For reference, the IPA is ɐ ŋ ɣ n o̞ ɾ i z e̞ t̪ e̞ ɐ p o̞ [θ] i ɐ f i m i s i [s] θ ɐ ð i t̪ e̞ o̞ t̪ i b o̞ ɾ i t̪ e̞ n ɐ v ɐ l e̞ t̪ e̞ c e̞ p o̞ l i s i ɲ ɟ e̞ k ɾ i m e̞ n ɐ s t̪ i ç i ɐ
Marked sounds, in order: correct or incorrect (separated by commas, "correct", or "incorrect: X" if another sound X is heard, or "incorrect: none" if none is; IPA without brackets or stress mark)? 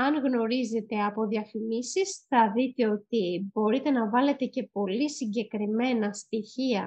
incorrect: ð, correct